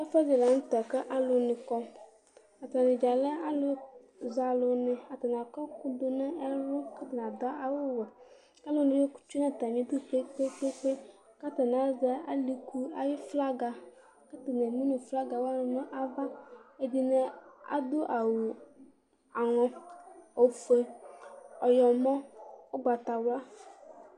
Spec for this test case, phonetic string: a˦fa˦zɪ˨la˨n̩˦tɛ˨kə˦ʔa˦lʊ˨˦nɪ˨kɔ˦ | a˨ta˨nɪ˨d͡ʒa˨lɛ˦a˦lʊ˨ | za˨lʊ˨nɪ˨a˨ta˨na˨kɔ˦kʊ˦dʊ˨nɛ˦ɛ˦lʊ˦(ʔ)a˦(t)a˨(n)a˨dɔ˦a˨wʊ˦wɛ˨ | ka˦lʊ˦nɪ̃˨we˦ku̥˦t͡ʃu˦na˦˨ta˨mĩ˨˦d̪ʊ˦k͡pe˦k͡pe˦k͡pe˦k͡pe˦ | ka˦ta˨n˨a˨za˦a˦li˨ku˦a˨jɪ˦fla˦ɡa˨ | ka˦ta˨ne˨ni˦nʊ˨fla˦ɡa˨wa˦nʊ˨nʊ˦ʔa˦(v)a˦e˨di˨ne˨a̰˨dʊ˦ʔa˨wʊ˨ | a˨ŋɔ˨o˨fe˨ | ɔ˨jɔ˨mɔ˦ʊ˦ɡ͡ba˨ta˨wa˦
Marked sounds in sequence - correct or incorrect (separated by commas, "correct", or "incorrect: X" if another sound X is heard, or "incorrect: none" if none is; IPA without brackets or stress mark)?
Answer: incorrect: k, correct, correct, correct